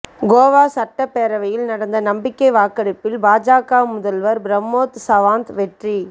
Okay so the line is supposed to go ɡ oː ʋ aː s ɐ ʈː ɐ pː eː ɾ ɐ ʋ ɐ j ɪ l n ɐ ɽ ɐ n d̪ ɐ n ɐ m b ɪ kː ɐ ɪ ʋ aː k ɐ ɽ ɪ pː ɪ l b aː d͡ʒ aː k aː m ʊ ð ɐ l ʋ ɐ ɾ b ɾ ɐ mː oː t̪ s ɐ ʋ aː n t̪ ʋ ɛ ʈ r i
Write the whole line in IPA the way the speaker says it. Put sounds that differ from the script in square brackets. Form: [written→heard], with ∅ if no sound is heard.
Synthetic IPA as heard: ɡ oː ʋ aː s ɐ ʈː ɐ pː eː ɾ ɐ ʋ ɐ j ɪ l n ɐ ɽ ɐ n d̪ ɐ n ɐ m b ɪ kː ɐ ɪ ʋ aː k ɐ ɽ ɪ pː ɪ l b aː d͡ʒ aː k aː m ʊ ð ɐ l ʋ ɐ ɾ b ɾ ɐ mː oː t̪ s ɐ ʋ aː n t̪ ʋ ɛ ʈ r i